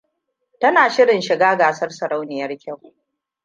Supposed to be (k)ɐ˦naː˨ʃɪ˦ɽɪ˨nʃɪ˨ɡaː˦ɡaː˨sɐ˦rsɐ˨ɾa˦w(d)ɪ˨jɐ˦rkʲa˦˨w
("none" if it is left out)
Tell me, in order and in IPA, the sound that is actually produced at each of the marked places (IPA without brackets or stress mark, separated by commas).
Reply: t, n